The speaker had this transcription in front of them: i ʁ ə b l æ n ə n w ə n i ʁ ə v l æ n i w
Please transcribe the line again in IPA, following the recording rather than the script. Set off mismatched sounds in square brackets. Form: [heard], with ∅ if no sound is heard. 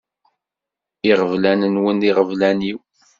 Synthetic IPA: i ʁ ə [v] l æ n ə n w ə n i ʁ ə v l æ n i w